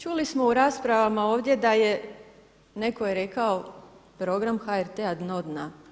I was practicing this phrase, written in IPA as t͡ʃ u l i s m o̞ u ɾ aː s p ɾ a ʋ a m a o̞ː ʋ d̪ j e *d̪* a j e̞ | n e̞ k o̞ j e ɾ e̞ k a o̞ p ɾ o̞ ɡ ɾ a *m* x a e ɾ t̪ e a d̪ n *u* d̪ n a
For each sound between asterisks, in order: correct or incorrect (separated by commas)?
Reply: correct, correct, incorrect